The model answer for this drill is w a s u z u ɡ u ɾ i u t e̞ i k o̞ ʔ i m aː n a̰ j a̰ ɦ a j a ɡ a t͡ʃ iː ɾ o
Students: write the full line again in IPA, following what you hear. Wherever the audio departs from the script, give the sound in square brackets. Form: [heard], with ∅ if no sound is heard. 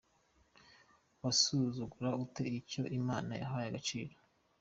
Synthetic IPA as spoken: w a s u z u ɡ u ɾ [a] u t e̞ i [c] o̞ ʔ i m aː n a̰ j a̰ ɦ a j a ɡ a t͡ʃ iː ɾ o